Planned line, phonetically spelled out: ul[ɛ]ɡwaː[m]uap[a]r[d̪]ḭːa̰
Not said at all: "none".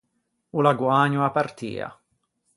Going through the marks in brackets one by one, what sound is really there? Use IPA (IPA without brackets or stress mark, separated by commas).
a, ɲ, a, t̪